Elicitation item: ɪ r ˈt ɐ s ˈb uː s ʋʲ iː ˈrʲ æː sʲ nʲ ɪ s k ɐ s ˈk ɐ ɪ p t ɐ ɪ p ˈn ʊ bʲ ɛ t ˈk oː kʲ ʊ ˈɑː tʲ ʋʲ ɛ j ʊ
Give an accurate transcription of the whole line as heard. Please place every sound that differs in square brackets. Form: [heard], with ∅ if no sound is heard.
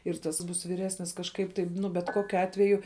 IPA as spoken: ɪ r ˈt ɐ s ˈb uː s ʋʲ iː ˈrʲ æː sʲ nʲ ɪ s k ɐ [ʃ] ˈk ɐ ɪ p t ɐ ɪ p ˈn ʊ bʲ ɛ t ˈk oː kʲ ʊ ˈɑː tʲ ʋʲ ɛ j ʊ

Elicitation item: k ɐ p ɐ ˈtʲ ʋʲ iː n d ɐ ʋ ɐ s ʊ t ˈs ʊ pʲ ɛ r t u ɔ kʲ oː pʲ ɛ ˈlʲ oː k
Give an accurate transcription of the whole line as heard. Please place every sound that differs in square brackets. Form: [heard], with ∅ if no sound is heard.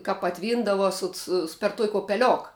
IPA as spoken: k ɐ p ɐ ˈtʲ ʋʲ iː n d ɐ ʋ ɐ s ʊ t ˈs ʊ pʲ ɛ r t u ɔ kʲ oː pʲ ɛ ˈlʲ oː k

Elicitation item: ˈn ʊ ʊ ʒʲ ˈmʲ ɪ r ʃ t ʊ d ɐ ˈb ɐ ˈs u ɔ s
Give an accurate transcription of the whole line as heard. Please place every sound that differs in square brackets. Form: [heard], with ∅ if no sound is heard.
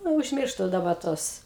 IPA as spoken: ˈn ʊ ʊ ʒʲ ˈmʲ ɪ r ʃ t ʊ d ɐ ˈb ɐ [ˈt] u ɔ s

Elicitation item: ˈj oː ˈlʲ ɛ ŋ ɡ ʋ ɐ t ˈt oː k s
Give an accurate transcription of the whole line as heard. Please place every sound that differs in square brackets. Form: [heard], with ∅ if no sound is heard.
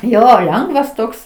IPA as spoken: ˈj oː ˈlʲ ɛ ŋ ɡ ʋ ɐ [s] ˈt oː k s

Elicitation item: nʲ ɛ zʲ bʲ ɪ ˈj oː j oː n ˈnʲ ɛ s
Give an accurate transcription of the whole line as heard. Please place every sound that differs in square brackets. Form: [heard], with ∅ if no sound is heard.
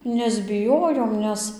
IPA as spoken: nʲ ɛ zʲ bʲ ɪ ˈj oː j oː [m] ˈnʲ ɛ s

